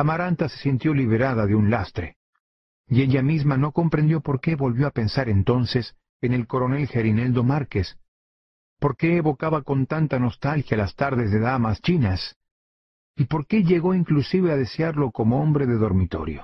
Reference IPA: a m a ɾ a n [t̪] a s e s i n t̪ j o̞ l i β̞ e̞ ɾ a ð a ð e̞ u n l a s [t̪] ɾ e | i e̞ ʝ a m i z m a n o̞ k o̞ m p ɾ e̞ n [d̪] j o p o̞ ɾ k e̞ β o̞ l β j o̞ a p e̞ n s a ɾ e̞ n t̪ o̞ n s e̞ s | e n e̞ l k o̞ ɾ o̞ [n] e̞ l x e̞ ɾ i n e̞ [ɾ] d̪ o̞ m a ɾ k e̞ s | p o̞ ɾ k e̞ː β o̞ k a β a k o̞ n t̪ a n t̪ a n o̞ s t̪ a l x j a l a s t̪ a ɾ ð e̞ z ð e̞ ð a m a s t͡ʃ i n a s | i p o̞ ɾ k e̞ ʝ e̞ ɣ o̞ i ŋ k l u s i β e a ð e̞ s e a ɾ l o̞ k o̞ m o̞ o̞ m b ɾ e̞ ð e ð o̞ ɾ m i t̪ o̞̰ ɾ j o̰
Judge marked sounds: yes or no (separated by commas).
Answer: yes, yes, yes, yes, no